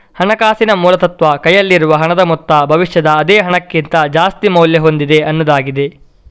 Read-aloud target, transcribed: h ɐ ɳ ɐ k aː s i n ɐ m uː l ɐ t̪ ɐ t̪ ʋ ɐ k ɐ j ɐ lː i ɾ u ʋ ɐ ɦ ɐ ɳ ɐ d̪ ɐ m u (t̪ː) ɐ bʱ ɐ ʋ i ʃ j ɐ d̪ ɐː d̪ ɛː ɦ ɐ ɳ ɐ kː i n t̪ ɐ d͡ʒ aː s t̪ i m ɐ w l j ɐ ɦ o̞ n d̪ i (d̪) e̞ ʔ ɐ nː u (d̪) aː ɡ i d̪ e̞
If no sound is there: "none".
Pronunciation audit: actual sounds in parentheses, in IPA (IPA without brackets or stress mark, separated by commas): t̪ː, d̪, d̪